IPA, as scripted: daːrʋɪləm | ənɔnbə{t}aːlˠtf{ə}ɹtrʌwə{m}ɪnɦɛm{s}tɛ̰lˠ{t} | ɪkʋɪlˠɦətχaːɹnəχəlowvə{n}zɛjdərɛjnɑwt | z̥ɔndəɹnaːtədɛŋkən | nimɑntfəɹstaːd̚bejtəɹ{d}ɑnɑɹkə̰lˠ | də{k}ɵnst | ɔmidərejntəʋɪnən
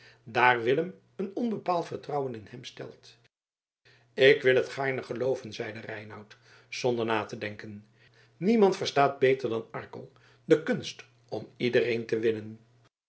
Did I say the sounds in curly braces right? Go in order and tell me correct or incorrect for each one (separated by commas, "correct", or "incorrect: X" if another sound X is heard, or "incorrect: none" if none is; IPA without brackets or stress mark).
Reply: incorrect: p, correct, incorrect: n, correct, correct, correct, correct, correct